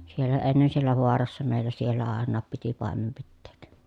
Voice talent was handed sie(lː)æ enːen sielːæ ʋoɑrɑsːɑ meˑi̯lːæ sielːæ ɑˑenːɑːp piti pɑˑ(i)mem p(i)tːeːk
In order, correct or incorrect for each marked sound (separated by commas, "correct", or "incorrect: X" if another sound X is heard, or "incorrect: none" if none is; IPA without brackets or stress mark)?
correct, incorrect: e, correct